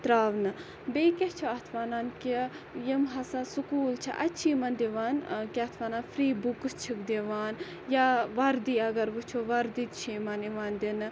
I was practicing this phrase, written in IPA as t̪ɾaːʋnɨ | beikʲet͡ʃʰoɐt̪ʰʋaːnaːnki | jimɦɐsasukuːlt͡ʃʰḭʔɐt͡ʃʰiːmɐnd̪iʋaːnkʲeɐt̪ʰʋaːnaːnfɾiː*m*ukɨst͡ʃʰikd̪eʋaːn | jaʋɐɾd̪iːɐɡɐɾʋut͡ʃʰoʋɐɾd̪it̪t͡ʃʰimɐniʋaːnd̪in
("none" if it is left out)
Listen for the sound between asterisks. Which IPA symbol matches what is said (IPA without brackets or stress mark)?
b